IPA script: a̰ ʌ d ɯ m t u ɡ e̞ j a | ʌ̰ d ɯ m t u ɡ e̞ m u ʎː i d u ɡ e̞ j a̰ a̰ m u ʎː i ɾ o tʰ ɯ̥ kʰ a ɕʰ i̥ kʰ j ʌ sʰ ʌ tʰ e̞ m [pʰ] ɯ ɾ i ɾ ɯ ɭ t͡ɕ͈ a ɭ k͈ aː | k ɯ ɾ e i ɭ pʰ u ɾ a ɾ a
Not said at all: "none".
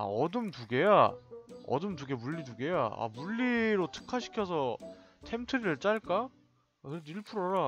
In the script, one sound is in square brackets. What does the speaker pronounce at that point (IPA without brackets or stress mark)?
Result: tʰ